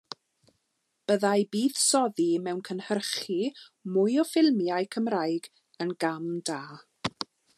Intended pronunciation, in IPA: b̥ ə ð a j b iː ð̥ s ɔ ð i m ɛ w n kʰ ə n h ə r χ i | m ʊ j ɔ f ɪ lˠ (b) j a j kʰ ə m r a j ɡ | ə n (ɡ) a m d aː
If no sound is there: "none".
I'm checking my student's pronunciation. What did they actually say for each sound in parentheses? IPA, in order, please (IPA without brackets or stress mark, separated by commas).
m, ɡ